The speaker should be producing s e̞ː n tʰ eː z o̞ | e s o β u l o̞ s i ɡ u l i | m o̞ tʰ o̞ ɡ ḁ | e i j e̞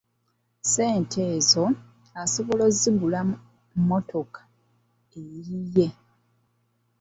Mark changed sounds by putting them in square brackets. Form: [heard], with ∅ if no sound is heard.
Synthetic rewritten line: s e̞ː n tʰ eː z o̞ | [a] s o β [o] l o̞ [z] i ɡ u l [a] | m o̞ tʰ o̞ [k] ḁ | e i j e̞